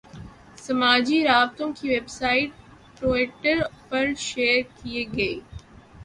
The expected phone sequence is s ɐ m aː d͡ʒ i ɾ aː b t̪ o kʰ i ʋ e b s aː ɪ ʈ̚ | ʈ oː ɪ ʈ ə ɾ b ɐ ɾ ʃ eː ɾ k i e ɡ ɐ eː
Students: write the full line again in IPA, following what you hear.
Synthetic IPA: s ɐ m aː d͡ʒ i ɾ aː b t̪ õ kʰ i ʋ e b s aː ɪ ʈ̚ | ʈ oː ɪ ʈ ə ɾ p ɐ ɾ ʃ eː ɾ k i e ɡ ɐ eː